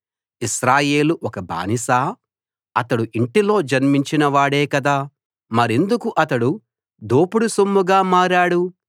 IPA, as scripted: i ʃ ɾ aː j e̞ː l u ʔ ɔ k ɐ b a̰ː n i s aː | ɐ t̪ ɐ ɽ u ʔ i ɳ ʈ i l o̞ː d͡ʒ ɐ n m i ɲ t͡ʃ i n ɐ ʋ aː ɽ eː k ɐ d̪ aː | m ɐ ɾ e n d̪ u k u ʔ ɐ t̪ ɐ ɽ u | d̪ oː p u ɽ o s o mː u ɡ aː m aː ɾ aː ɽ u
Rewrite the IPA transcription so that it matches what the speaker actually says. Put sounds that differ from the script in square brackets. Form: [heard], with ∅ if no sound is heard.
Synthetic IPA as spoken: i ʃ ɾ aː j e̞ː l u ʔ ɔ k ɐ b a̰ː n i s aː | ɐ t̪ ɐ ɽ u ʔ i ɳ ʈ i l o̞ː d͡ʒ ɐ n m i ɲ t͡ʃ i n ɐ ʋ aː ɽ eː k ɐ d̪ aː | m ɐ ɾ e n d̪ u k u ʔ ɐ t̪ ɐ ɽ u | d̪ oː p u ɽ [u] s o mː u ɡ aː m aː ɾ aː ɽ u